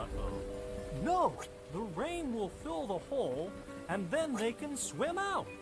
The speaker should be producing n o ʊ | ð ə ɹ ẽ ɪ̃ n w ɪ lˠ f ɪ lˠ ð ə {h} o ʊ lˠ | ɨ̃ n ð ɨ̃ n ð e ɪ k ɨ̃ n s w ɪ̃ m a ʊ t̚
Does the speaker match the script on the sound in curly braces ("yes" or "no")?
yes